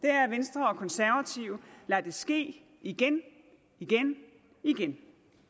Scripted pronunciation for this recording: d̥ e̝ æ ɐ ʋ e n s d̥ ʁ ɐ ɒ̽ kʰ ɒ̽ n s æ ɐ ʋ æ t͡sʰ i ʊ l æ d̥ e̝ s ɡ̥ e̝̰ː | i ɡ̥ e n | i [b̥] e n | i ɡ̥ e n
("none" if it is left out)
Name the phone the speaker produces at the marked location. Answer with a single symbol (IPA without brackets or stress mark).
ɡ̥